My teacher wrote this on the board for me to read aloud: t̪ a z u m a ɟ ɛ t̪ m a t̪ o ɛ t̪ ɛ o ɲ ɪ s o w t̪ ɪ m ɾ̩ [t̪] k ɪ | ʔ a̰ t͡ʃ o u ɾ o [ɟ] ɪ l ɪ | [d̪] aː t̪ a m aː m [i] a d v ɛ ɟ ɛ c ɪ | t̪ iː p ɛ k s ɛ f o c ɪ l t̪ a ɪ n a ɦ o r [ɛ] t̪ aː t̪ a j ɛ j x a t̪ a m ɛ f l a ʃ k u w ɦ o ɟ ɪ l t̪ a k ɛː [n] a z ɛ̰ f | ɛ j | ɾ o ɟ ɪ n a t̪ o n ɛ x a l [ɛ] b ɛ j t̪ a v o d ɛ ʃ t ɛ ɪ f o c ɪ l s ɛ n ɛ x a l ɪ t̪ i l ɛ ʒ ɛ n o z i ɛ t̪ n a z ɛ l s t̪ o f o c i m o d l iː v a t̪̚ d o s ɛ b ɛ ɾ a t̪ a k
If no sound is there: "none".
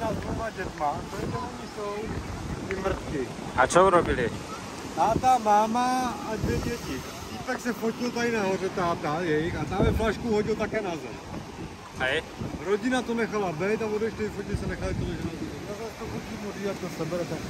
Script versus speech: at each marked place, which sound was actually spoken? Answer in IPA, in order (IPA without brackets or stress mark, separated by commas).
t̪, b, t̪, a, ɛ, n, a